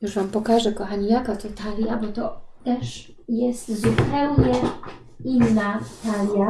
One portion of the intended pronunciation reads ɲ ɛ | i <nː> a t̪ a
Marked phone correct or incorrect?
correct